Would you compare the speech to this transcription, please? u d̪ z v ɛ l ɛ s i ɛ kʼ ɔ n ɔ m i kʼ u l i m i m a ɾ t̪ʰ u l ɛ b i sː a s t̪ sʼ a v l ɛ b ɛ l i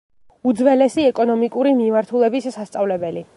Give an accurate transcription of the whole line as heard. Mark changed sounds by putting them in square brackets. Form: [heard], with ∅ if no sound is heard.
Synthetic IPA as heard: u d̪ z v ɛ l ɛ s i ɛ kʼ ɔ n ɔ m i kʼ u [ɾ] i m i m a ɾ t̪ʰ u l ɛ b i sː a s t̪ sʼ a v l ɛ b ɛ l i